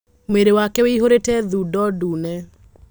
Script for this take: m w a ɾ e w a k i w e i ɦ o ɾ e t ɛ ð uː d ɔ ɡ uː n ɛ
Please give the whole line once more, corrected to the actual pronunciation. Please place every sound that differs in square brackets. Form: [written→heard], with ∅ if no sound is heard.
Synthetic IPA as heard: m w [a→e] ɾ e w a k [i→ɛ] w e i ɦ o ɾ e t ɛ ð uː d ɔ [ɡ→d] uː n ɛ